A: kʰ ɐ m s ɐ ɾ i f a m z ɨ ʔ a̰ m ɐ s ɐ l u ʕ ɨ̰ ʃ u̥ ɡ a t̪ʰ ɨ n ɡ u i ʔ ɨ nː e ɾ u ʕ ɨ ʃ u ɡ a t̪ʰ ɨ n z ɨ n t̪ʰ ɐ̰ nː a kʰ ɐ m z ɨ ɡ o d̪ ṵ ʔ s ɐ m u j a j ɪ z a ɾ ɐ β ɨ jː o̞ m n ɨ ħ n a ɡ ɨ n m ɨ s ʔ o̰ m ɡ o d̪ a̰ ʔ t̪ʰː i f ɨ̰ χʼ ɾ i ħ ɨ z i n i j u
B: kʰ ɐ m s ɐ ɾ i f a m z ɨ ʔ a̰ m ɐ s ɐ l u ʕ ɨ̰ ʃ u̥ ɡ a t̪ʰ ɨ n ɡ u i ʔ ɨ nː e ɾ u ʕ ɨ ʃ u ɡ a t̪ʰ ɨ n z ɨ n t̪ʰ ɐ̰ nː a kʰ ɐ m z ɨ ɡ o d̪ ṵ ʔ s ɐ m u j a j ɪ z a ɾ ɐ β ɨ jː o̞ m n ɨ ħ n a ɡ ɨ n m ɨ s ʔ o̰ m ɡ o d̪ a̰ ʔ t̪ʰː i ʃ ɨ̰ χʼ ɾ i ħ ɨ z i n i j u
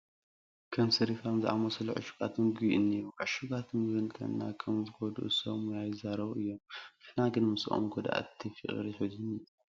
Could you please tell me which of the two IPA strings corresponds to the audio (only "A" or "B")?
A